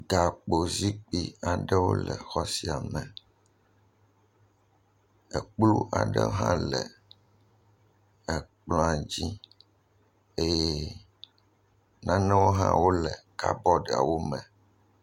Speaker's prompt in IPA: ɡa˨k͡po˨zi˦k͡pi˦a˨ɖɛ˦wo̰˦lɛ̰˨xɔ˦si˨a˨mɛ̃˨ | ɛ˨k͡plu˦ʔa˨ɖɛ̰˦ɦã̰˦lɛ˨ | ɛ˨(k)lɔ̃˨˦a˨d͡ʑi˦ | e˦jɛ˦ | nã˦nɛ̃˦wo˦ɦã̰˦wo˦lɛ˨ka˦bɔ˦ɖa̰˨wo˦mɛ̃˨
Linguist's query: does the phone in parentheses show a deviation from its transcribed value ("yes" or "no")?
yes